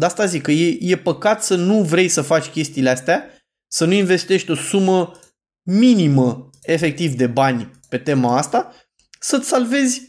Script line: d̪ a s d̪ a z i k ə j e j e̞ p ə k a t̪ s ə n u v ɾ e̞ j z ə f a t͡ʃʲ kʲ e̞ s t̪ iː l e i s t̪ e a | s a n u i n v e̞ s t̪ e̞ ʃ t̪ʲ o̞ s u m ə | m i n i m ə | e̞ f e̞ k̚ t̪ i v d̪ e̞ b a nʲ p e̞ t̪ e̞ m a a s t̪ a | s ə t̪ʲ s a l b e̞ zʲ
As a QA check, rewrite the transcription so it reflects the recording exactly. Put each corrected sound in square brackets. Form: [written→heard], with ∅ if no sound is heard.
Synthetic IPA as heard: d̪ a s [d̪→t̪] a z i k ə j e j e̞ p ə k a t̪ s ə n u v ɾ e̞ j [z→s] ə f a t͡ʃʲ kʲ e̞ s t̪ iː l e [i→a] s t̪ e a | s [a→ə] n u i n v e̞ s t̪ e̞ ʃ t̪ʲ o̞ s u m ə | m i n i m ə | e̞ f e̞ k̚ t̪ i v d̪ e̞ b a nʲ p e̞ t̪ e̞ m a a s t̪ a | s ə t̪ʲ s a l [b→v] e̞ zʲ